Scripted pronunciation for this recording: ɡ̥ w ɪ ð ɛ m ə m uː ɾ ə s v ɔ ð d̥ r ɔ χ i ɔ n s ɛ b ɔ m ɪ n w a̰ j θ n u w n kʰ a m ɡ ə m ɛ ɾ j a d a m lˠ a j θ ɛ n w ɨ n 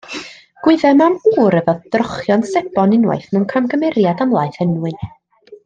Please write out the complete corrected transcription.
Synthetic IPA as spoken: ɡ̥ w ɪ ð ɛ m a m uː ɾ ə v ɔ ð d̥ r ɔ χ j ɔ n s ɛ b ɔ n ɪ n w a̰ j θ n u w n kʰ a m ɡ ə m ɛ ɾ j a d a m lˠ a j θ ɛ n w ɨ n